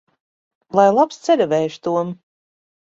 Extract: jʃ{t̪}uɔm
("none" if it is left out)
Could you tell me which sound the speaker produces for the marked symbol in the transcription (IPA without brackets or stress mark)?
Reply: t̪